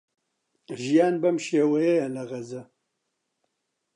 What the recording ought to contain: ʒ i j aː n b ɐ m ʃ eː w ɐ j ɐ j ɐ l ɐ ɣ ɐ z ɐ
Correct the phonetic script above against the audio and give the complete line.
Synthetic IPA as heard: ʒ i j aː n b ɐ m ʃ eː w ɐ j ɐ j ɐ l ɐ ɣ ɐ z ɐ